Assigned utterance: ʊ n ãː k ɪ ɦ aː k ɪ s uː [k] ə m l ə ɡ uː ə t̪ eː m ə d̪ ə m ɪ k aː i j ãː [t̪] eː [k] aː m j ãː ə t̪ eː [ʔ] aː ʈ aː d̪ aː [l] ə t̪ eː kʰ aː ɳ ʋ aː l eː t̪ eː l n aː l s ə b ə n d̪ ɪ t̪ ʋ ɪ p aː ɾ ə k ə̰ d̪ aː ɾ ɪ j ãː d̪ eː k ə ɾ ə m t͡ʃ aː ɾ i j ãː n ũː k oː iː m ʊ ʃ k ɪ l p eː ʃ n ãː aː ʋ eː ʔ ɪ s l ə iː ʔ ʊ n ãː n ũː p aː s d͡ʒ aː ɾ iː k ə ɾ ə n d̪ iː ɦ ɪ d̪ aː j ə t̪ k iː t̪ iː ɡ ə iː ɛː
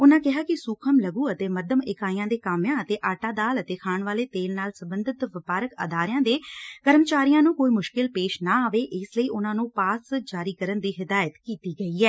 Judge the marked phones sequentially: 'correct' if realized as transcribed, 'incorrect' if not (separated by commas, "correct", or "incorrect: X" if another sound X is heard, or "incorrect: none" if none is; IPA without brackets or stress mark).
incorrect: kʰ, incorrect: d̪, correct, correct, correct